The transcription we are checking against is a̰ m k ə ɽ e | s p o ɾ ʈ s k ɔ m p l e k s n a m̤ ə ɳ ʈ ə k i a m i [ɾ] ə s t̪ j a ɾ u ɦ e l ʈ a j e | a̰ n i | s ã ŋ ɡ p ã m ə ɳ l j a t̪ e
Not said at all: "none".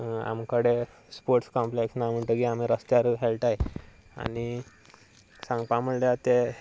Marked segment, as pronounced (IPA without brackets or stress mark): ɾ